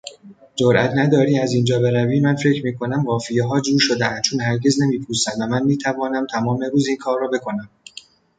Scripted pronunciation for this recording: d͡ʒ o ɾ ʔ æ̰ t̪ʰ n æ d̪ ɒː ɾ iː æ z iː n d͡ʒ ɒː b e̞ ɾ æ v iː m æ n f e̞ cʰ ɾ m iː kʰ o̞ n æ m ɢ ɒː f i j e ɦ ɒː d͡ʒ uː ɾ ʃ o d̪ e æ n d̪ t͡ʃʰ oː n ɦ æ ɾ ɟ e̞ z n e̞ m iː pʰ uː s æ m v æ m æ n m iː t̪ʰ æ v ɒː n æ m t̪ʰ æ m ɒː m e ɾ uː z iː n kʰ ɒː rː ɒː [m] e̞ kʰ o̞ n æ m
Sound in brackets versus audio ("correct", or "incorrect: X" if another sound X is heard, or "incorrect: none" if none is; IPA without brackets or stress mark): incorrect: b